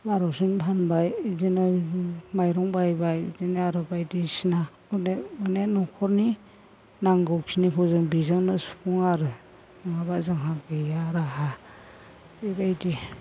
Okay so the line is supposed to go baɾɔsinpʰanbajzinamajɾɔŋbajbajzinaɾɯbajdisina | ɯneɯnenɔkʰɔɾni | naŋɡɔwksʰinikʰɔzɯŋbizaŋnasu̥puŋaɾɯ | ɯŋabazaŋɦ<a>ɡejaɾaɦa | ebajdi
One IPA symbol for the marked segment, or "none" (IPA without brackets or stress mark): a